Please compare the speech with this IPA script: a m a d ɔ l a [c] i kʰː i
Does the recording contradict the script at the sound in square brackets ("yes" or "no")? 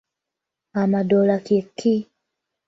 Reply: yes